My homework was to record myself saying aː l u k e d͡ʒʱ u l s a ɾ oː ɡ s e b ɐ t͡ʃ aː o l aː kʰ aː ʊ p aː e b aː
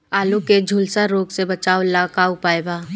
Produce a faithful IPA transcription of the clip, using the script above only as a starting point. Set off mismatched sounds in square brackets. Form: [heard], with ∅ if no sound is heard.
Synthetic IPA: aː l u k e d͡ʒʱ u l s a ɾ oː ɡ s e b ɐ t͡ʃ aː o l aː [k] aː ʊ p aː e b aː